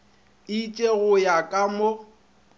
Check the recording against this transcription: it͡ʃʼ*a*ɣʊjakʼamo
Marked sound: incorrect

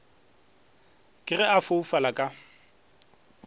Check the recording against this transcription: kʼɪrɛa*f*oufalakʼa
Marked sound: correct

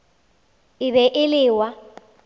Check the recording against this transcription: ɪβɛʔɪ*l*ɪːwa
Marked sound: correct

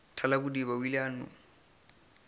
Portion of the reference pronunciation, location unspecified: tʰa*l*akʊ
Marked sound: correct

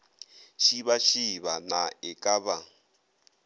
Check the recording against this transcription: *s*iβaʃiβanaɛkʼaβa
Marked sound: incorrect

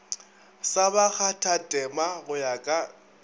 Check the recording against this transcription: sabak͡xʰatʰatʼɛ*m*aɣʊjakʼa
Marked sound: correct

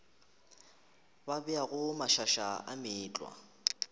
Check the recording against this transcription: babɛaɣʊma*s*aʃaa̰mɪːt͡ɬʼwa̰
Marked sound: incorrect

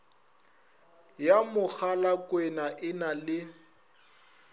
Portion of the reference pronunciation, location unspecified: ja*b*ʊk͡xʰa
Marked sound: incorrect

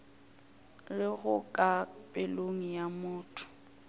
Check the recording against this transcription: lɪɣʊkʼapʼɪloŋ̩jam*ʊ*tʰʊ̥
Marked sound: incorrect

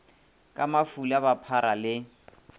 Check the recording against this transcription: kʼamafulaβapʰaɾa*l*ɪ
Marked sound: correct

